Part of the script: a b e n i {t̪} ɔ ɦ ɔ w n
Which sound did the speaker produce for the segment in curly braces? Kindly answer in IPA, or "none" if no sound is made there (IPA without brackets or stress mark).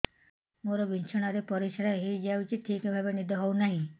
d̪